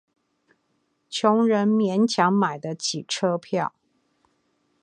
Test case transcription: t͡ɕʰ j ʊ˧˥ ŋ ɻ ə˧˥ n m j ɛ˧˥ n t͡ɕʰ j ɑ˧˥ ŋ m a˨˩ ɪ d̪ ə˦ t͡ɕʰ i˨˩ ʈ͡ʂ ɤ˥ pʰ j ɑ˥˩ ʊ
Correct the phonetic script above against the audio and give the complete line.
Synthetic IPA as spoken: t͡ɕʰ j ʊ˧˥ ŋ ɻ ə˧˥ n m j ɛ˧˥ n t͡ɕʰ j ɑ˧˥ ŋ m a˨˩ ɪ d̪ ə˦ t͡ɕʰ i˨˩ ʈ͡ʂʰ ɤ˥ pʰ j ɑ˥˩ ʊ